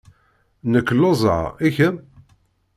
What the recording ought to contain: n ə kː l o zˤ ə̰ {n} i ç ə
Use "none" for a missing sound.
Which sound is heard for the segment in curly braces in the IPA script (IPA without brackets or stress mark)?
none